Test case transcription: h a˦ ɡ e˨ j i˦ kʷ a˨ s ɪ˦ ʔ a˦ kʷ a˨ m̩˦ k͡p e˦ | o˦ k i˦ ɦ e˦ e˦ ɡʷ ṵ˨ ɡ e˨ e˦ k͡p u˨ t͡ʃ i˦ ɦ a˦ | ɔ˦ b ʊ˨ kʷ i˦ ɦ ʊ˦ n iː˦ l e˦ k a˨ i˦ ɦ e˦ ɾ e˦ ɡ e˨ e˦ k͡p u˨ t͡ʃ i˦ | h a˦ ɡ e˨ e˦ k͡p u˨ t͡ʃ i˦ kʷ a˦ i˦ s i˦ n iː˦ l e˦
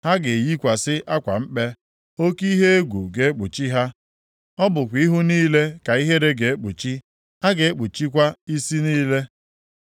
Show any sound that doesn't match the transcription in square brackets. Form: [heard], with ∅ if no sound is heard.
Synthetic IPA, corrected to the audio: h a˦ ɡ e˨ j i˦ kʷ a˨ s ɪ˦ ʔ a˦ kʷ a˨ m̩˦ k͡p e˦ | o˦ k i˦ ɦ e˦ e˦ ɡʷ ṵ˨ ɡ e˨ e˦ k͡p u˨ t͡ʃ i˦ ɦ a˦ | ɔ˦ b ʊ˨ kʷ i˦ ɦ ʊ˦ n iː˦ l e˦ k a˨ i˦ ɦ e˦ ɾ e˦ ɡ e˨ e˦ k͡p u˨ t͡ʃ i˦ | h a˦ ɡ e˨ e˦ k͡p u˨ t͡ʃ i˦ kʷ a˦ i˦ s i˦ n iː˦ l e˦

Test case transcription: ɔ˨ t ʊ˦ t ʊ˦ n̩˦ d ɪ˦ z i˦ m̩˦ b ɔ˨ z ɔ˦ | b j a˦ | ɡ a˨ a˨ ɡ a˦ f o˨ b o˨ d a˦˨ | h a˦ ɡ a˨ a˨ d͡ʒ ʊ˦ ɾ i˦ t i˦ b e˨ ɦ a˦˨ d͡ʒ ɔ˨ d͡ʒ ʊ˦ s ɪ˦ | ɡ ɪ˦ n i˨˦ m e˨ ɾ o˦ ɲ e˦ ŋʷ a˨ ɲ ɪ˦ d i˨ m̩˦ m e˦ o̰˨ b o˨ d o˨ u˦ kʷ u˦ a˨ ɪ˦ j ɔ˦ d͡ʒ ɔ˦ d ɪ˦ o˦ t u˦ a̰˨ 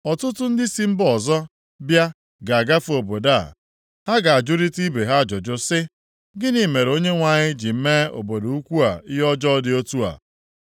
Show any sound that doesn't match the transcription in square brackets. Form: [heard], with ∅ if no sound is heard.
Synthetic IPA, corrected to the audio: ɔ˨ t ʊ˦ t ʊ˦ n̩˦ d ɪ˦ [s] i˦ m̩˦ b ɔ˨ z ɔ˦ | b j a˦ | ɡ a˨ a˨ ɡ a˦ f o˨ b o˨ d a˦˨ | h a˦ ɡ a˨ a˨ d͡ʒ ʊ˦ ɾ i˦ t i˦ b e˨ ɦ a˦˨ d͡ʒ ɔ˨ d͡ʒ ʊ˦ s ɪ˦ | ɡ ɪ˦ n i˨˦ m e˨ ɾ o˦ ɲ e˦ ŋʷ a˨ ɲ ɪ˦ [d͡ʒ] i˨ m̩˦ m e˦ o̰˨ b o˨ d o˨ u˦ kʷ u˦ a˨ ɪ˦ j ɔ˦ d͡ʒ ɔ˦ d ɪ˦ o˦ t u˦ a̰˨

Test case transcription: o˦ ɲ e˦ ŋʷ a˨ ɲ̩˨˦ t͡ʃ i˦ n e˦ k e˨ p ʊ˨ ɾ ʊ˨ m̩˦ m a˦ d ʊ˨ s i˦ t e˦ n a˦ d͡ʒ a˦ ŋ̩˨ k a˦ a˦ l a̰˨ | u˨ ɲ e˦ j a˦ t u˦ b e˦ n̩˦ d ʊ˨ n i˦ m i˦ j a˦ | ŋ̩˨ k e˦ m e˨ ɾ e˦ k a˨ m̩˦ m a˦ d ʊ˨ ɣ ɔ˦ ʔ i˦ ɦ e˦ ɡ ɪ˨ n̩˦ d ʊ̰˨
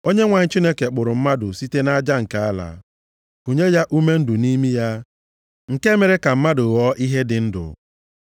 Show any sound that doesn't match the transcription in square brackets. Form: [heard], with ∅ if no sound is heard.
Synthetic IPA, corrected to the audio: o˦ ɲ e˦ ŋʷ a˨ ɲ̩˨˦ t͡ʃ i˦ n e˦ k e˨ [k͡p] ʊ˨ ɾ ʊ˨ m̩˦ m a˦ d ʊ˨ s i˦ t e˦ n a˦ d͡ʒ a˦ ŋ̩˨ k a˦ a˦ l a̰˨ | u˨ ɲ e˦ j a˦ [ʔ] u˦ [m] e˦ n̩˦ d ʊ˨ n i˦ m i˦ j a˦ | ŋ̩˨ k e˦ m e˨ ɾ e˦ k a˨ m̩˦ m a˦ d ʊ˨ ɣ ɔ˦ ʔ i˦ ɦ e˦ [d] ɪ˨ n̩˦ d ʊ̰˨

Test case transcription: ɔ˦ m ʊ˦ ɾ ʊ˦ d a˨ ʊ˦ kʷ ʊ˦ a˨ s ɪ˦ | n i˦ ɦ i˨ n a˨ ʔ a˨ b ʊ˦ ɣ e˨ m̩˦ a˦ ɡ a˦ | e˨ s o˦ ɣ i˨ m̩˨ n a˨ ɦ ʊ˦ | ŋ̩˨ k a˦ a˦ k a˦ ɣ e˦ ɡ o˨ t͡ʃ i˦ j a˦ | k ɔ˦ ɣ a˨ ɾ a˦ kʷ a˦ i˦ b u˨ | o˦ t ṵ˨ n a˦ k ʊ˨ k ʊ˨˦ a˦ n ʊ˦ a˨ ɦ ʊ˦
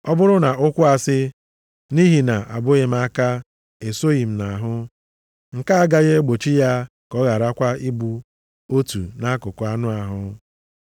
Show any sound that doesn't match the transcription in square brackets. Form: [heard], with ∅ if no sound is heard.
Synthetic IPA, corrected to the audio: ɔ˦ [b] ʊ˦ ɾ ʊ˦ [n] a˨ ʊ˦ kʷ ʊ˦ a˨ s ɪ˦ | n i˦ ɦ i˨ n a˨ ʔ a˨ b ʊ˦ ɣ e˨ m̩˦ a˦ [k] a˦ | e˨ s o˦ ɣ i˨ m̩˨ n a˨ ɦ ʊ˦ | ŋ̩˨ k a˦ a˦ [ɡ] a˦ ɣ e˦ [ɡ͡b] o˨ t͡ʃ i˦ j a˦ | k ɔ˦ ɣ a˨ ɾ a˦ kʷ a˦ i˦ b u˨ | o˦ t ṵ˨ n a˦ k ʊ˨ k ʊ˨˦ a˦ n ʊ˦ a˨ ɦ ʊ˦

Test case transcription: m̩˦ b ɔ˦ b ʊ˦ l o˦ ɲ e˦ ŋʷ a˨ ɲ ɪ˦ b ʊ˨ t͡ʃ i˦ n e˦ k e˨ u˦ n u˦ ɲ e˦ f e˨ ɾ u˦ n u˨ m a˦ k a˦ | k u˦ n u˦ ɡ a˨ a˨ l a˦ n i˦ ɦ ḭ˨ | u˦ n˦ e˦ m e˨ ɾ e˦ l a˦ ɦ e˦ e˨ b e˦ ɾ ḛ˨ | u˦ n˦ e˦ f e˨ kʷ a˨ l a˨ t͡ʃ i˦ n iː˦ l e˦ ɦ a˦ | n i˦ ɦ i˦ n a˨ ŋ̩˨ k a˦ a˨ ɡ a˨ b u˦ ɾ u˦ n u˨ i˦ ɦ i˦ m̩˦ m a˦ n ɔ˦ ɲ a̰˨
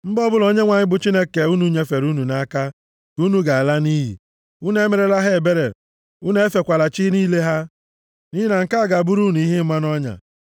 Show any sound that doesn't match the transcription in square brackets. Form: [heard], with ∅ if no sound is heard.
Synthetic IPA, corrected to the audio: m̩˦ b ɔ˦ b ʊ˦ l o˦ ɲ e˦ ŋʷ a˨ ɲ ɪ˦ b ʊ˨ t͡ʃ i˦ n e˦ k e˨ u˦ n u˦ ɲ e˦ f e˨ ɾ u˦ n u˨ [n] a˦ k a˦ | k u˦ n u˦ ɡ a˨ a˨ l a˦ n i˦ ɦ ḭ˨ | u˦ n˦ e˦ m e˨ ɾ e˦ l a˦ ɦ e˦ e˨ b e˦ ɾ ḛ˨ | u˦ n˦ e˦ f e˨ kʷ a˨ l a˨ t͡ʃ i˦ n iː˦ l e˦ ɦ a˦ | n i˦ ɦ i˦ n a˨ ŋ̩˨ k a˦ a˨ ɡ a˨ b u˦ ɾ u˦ n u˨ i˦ ɦ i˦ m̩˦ m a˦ n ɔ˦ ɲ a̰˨

